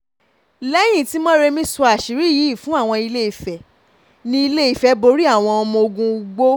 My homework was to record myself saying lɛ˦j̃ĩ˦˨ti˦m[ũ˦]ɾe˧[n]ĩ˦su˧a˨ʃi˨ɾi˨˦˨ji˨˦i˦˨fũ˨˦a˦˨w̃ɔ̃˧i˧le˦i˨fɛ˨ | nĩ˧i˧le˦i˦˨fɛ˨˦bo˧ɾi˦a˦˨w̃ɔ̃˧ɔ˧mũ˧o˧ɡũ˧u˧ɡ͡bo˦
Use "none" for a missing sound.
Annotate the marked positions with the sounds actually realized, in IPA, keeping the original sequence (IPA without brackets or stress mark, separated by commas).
ɔ̃˦, m